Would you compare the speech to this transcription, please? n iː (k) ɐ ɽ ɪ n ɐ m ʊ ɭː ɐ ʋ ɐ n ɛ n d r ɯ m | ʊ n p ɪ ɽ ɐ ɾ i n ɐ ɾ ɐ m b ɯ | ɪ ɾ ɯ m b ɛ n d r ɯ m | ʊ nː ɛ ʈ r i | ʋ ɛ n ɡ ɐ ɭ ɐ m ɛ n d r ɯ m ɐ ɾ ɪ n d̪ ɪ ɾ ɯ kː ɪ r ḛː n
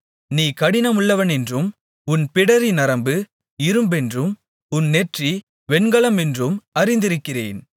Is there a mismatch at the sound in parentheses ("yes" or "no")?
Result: no